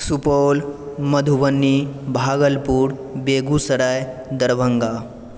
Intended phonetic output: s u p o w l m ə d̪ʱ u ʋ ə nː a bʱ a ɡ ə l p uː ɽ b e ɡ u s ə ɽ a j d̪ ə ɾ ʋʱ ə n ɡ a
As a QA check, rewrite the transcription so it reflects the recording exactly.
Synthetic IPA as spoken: s u p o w l m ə d̪ʱ u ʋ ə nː i bʱ a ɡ ə l p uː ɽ b e ɡ u s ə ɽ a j d̪ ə ɾ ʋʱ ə ŋ ɡ a